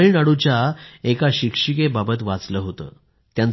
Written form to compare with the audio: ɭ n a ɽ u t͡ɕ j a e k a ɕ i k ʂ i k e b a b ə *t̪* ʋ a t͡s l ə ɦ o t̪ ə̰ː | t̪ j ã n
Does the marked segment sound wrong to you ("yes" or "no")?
no